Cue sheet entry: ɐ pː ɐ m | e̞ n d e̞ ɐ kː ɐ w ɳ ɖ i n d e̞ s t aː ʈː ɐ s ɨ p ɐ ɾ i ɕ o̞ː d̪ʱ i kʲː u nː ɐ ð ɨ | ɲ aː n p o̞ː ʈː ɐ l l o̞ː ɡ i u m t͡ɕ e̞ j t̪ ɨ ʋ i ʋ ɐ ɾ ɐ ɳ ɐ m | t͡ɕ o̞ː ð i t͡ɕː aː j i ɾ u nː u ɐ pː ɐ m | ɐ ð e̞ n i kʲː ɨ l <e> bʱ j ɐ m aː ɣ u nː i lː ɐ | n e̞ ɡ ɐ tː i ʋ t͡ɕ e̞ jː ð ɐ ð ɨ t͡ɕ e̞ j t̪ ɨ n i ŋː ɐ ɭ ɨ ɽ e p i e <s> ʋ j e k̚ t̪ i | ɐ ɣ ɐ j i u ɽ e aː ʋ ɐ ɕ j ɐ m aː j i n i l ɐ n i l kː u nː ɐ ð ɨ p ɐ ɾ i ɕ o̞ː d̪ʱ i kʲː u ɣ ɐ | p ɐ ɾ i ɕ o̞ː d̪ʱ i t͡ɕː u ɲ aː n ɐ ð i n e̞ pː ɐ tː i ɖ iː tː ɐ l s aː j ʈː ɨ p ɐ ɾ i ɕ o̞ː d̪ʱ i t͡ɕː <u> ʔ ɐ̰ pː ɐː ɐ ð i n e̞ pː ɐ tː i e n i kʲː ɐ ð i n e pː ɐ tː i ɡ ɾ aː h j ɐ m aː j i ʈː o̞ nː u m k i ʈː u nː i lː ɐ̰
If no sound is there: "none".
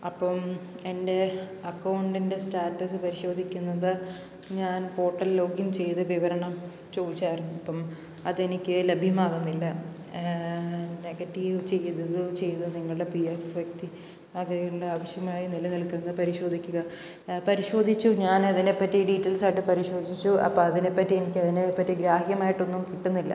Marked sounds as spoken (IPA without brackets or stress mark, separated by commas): e, f, u